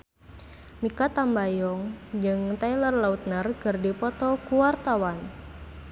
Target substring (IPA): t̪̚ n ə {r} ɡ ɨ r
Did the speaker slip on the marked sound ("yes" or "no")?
no